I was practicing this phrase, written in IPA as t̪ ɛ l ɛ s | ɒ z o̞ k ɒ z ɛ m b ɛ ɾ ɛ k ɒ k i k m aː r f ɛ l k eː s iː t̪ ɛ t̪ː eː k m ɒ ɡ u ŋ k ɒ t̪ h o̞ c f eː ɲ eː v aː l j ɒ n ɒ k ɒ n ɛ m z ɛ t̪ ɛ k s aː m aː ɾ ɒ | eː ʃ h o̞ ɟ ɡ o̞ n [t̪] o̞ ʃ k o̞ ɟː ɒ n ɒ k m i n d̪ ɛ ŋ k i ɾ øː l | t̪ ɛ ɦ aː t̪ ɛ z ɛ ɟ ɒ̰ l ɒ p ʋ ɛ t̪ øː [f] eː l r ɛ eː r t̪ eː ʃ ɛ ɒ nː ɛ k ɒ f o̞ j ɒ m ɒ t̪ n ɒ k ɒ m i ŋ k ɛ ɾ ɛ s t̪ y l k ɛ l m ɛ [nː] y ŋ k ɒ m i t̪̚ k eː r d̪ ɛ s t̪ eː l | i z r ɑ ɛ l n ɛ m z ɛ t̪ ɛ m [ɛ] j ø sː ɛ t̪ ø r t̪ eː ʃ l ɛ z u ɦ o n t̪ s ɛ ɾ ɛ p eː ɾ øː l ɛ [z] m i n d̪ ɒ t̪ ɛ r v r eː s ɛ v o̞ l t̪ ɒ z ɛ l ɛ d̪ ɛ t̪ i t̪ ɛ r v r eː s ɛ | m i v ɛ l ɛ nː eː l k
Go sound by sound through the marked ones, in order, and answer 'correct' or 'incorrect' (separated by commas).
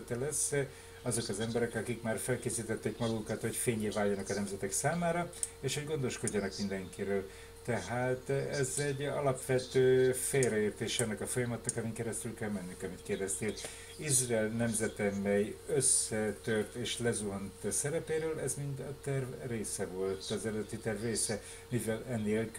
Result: incorrect, correct, correct, correct, correct